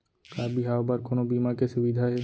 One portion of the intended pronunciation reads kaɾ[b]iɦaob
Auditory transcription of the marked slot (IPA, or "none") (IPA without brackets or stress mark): b